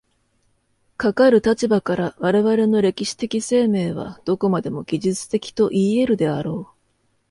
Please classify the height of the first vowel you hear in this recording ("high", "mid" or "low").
low